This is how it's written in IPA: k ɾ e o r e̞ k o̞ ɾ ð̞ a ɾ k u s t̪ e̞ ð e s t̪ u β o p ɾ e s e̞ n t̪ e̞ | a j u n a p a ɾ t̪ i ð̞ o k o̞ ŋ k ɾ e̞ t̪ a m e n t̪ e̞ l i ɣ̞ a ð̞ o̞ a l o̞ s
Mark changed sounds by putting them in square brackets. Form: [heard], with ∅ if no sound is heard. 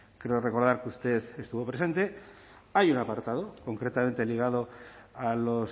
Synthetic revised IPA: k ɾ e o r e̞ k o̞ ɾ ð̞ a ɾ k u s t̪ e̞ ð e s t̪ u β o p ɾ e s e̞ n t̪ e̞ | a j u n a p a ɾ t̪ [a] ð̞ o k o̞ ŋ k ɾ e̞ t̪ a m e n t̪ e̞ l i ɣ̞ a ð̞ o̞ a l o̞ s